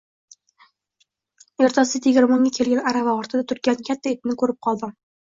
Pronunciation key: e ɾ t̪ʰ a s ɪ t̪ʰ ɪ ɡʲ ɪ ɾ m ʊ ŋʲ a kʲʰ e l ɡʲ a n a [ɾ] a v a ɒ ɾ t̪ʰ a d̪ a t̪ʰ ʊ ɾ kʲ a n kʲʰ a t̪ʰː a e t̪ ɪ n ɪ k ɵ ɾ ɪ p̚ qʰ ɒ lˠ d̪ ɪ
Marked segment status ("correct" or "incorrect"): correct